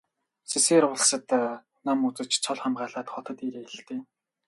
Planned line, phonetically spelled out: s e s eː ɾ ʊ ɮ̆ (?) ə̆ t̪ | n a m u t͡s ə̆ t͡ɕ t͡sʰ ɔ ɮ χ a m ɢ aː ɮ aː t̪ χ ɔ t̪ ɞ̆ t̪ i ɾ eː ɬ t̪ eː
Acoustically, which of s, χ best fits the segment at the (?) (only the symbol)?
s